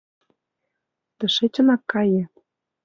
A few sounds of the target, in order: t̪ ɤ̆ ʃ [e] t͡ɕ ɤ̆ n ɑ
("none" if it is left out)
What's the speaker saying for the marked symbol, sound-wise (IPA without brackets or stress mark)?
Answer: e